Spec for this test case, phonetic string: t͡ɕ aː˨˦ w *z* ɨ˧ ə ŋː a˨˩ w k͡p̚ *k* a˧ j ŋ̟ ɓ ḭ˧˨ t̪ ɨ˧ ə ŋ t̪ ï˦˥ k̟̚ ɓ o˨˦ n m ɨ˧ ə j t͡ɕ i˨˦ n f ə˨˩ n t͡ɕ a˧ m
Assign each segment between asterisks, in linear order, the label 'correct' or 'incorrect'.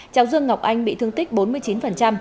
correct, incorrect: ʔ

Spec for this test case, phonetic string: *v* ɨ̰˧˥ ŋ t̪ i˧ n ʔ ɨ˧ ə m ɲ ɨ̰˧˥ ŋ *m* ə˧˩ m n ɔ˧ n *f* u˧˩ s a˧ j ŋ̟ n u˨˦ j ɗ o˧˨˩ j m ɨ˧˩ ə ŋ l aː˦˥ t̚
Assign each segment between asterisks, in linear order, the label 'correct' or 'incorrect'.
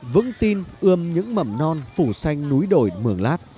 correct, correct, correct

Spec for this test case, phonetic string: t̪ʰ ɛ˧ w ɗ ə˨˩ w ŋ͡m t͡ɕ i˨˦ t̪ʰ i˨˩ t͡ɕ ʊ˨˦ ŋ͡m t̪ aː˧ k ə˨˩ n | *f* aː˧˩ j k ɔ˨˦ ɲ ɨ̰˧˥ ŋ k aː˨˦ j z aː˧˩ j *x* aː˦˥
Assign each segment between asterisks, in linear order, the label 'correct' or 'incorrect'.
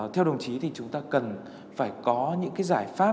correct, incorrect: f

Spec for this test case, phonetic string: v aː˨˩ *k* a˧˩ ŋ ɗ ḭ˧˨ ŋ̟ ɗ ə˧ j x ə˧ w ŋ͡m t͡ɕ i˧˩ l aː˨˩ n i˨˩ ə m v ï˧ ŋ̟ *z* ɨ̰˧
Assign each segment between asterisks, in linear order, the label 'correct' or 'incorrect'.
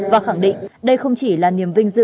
incorrect: x, correct

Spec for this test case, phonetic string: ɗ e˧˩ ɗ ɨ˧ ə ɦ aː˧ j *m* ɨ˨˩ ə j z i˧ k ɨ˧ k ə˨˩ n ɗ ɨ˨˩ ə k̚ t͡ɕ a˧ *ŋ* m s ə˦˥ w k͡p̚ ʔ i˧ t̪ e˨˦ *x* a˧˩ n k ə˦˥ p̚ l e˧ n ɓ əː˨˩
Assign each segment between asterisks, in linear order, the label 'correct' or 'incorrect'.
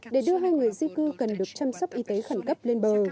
incorrect: ŋ, incorrect: none, correct

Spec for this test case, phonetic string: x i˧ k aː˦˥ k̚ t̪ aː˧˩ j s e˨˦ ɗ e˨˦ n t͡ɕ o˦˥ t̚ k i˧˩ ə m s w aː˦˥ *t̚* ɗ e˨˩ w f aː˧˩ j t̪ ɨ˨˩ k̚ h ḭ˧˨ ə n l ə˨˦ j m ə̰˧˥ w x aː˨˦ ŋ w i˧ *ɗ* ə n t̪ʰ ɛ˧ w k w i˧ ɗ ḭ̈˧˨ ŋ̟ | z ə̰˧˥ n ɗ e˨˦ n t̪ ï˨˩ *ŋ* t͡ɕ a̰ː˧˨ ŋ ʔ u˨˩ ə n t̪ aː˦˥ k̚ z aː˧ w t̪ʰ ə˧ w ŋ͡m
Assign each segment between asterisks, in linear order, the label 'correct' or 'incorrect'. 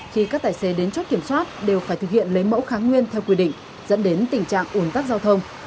correct, incorrect: none, correct

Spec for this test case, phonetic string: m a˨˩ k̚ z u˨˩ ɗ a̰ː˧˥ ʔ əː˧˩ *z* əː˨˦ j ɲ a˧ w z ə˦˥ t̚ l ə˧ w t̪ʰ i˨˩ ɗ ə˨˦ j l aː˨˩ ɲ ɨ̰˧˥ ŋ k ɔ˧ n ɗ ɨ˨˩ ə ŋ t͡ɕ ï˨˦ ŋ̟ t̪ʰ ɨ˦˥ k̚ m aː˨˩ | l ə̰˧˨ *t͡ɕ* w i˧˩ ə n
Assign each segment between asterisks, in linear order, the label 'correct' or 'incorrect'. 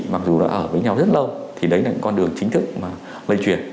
incorrect: v, correct

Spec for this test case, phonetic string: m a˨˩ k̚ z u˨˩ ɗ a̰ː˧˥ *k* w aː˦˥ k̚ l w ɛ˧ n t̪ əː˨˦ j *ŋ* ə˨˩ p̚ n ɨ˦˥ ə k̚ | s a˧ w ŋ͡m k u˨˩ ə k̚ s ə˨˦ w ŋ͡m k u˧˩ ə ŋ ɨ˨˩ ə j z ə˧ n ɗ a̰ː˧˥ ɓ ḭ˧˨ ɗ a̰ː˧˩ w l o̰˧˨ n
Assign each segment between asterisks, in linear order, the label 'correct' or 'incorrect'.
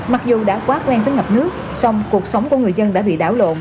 correct, correct

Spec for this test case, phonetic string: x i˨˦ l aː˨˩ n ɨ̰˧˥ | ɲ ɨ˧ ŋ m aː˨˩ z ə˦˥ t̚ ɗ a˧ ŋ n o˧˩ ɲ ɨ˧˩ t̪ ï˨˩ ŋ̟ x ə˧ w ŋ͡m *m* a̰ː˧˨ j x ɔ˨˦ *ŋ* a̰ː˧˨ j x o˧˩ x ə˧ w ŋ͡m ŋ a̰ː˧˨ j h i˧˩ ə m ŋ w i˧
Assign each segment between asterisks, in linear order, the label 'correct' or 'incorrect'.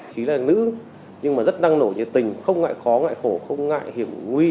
incorrect: ŋ, correct

